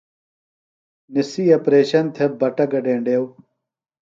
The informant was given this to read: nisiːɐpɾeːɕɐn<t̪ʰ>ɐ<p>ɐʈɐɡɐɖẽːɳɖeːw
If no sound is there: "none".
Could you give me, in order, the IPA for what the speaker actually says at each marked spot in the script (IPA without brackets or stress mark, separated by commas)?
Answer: t̪ʰ, b